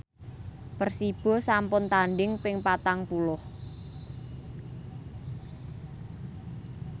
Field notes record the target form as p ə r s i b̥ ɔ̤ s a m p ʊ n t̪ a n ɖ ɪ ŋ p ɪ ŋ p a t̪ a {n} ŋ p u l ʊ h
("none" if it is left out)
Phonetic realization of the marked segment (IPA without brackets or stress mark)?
none